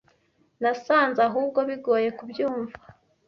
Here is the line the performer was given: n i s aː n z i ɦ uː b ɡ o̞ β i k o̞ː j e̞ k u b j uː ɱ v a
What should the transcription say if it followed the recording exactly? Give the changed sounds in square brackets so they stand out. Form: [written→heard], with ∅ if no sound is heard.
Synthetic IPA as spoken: n [i→a] s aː n z [i→a] ɦ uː b ɡ o̞ β i [k→ɡ] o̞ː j e̞ k u b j uː ɱ v a